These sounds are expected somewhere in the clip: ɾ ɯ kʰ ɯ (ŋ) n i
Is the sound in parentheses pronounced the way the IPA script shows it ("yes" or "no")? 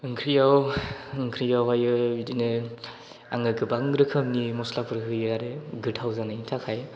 no